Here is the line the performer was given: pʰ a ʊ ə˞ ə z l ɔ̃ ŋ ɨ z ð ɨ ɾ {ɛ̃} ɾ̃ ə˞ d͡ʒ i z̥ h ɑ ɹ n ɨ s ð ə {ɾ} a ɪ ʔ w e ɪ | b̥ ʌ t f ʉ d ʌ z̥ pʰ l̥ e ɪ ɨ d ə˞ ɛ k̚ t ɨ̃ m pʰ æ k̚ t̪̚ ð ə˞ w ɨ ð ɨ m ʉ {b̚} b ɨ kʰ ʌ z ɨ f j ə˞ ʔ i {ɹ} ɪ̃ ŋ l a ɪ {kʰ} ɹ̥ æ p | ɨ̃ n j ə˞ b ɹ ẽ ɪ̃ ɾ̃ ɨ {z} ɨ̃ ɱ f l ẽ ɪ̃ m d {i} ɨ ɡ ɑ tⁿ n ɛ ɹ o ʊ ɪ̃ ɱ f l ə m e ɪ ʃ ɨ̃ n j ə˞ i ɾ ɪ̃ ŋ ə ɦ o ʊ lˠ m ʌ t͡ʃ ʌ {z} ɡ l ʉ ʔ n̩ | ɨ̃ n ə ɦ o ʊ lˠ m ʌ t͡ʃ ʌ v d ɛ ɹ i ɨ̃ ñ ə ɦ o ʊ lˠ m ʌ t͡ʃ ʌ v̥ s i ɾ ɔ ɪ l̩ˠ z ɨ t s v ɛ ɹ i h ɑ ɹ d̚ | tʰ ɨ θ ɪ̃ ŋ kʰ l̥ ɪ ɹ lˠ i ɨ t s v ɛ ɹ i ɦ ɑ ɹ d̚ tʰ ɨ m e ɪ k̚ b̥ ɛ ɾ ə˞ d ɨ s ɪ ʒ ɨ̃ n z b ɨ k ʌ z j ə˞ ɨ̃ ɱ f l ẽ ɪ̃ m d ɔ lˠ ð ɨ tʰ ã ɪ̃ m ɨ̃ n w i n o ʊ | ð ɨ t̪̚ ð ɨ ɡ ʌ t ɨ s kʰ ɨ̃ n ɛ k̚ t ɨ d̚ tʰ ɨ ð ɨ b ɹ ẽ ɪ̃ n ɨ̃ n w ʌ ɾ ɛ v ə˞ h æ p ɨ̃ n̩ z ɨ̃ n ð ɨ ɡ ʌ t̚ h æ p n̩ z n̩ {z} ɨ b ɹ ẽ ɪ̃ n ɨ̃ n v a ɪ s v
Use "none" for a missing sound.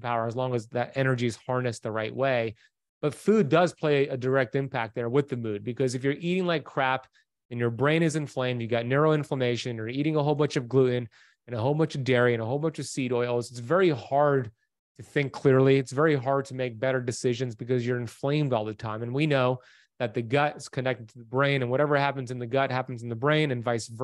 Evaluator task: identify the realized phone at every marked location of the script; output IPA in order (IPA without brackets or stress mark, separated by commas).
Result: ɛ, ɹ, d̚, ɾ, kʰ, z, j, v, ð